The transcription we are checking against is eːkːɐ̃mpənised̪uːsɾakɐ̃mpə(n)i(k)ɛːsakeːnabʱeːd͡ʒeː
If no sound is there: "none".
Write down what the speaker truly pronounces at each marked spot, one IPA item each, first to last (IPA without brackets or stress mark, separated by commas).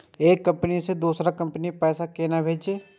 n, p